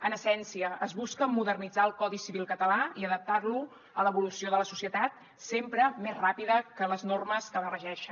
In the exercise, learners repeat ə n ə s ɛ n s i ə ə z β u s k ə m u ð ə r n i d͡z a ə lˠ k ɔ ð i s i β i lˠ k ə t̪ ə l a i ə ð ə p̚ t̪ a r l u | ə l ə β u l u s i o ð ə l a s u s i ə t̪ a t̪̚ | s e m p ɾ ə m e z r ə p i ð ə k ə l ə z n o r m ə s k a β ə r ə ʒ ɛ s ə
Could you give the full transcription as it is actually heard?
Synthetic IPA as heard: ə n ə s ɛ n s i ə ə z β u s k ə m u ð ə r n i d͡z a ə lˠ k ɔ ð i s i β i lˠ k ə t̪ ə l a i ə ð ə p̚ t̪ a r l u | ə l ə β u l u s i o ð ə l ə s u s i ə t̪ a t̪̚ | s e m p ɾ ə m e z r a p i ð ə k ə l ə z n o r m ə s k ə β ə r ə ʒ ɛ ʃ ə